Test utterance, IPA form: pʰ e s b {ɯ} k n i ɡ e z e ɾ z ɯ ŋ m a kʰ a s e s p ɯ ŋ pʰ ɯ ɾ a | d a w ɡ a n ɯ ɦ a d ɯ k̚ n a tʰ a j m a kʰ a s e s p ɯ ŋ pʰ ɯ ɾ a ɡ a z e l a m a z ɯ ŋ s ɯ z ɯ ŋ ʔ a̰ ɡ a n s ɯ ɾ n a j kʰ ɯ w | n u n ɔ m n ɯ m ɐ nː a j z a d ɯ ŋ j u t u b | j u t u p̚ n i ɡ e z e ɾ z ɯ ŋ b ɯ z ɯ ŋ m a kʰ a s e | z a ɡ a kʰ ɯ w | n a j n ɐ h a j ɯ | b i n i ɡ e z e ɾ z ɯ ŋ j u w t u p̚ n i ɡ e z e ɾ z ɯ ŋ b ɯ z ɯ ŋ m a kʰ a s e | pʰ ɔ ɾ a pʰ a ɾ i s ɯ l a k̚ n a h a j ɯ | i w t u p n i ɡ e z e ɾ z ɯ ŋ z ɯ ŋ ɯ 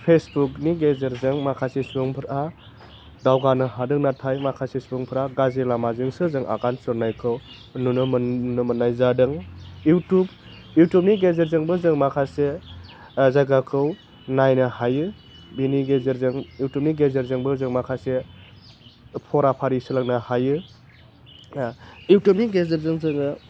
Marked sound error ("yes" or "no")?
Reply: yes